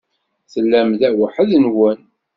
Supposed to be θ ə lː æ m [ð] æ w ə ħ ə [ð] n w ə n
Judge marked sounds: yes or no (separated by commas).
yes, yes